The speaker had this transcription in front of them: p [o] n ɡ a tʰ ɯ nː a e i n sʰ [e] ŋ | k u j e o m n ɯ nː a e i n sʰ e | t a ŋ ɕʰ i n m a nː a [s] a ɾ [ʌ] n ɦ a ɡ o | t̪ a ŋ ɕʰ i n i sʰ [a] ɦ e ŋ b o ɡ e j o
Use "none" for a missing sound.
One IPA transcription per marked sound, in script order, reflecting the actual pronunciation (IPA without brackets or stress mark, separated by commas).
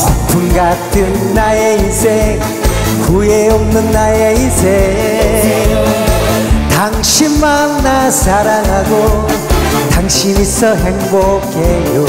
u, e, s, a, ʌ